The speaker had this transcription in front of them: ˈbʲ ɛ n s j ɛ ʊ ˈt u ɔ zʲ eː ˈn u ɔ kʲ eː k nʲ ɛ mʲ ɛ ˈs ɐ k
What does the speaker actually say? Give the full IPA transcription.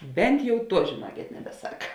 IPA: ˈbʲ ɛ n t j ɛ ʊ ˈt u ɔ ʒʲ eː ˈn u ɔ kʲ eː t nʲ ɛ bʲ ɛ ˈs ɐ k